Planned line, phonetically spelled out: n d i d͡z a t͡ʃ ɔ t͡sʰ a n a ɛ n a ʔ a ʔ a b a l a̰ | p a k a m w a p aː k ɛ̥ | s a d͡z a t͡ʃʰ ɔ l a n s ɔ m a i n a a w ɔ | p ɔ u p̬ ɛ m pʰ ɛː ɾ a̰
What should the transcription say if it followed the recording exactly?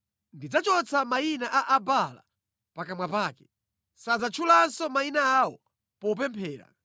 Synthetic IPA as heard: n d i d͡z a t͡ʃ ɔ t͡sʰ a m a i n a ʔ a ʔ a b a l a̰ | p a k a m w a p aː k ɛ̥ | s a d͡z a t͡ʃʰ u l a n s ɔ m a i n a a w ɔ | p ɔ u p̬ ɛ m pʰ ɛː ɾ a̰